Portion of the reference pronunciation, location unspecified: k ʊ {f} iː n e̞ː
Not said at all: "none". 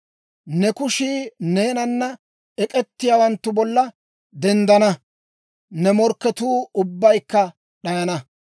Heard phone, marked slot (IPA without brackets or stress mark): ʃ